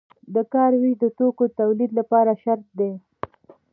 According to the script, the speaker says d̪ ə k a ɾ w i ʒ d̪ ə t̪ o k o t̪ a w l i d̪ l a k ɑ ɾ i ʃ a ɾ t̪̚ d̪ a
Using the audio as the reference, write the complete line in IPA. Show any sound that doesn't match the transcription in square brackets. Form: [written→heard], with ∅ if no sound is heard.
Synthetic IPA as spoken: d̪ ə k [a→ɑ] ɾ w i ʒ d̪ ə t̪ o k o t̪ a w l i d̪ l a [k→p] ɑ ɾ [i→a] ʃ a ɾ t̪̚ d̪ [a→e]